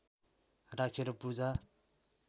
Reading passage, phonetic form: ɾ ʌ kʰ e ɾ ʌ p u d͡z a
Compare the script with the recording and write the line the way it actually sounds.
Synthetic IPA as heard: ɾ a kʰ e ɾ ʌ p u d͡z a